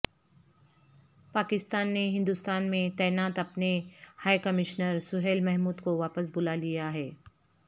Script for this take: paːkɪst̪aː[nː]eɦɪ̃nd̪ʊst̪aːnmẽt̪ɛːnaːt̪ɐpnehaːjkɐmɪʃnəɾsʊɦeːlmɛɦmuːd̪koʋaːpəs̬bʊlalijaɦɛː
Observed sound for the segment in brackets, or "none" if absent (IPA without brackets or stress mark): nː